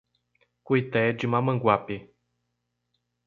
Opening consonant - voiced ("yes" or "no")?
no